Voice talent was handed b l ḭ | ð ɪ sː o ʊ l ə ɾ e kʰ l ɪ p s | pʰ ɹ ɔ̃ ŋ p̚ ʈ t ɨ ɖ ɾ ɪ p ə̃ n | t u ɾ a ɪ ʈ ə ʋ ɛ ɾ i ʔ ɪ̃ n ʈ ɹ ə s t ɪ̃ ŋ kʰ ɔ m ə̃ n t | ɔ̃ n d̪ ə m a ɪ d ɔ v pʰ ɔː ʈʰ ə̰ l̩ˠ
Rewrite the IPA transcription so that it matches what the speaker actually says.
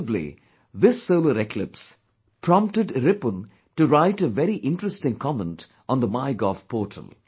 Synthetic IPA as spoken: b l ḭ | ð ɪ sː o ʊ l ə ɾ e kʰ l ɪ p s | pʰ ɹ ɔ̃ m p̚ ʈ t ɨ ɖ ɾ ɪ p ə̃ n | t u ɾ a ɪ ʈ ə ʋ ɛ ɾ i ʔ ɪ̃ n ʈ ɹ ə s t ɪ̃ ŋ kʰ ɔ m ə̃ n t | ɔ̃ n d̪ ə m a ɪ ɡ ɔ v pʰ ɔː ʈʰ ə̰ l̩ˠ